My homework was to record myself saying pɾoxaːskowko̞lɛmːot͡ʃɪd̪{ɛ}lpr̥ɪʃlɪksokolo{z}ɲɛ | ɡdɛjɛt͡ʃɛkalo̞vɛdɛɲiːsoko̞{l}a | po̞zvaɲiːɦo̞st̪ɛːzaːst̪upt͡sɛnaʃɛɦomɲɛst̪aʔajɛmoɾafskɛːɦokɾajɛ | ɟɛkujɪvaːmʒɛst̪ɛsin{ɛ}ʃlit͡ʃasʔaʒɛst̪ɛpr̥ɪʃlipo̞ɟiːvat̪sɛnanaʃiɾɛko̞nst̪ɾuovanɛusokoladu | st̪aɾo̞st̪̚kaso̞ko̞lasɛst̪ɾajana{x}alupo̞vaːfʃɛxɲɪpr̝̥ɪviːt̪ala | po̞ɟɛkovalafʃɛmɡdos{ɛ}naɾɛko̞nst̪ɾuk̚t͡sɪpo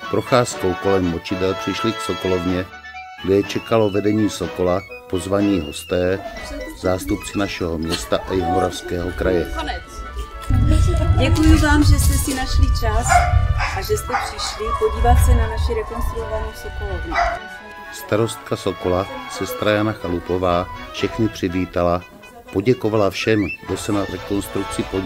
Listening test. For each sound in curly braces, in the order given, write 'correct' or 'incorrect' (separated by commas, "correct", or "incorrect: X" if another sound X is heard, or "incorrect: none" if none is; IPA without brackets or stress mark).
correct, incorrect: v, correct, incorrect: a, correct, correct